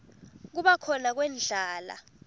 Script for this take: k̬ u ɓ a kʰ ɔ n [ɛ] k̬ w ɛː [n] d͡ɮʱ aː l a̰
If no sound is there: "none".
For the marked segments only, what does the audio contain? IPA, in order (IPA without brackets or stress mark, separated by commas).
a, n